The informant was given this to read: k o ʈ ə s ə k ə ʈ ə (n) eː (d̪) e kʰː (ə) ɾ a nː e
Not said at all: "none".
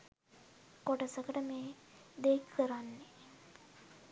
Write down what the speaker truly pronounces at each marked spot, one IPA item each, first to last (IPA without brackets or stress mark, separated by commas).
m, d̪, ə